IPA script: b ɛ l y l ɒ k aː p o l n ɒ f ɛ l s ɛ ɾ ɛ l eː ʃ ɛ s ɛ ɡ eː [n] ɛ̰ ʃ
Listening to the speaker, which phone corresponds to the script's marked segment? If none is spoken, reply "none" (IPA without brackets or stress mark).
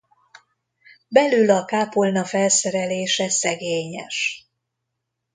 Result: ɲ